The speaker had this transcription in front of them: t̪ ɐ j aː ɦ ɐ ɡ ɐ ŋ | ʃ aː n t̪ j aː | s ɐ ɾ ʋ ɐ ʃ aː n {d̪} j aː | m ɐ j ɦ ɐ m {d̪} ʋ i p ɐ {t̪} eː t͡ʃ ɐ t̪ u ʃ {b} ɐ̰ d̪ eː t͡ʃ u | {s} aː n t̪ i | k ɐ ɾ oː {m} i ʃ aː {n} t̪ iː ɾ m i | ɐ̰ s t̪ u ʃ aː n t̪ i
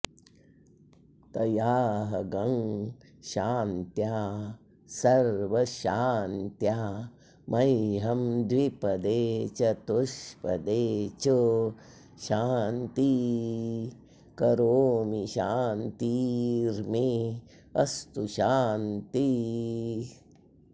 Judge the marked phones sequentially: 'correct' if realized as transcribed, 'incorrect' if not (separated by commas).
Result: incorrect, correct, incorrect, incorrect, incorrect, correct, correct